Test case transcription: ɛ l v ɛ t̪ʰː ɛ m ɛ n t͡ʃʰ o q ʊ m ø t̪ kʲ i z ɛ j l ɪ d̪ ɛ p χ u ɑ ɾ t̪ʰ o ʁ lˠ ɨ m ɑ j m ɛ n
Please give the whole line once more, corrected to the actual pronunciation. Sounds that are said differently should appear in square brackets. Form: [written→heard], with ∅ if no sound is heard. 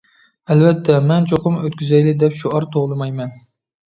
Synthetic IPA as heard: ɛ l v ɛ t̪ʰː ɛ m ɛ n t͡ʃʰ o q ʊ m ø t̪ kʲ [i→y] z ɛ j l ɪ d̪ ɛ p [χ→ʃ] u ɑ ɾ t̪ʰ o ʁ lˠ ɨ m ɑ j m ɛ n